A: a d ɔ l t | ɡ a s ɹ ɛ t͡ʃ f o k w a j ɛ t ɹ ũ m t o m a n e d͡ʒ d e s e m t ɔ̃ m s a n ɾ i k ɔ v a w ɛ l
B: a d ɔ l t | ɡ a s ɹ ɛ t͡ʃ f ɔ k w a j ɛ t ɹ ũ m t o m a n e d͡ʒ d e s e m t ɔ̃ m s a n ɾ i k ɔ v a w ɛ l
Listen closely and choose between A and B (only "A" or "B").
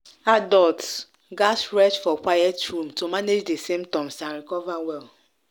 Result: B